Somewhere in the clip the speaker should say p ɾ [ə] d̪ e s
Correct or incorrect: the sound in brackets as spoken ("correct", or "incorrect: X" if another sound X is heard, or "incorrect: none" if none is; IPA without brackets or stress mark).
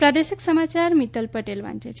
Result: incorrect: a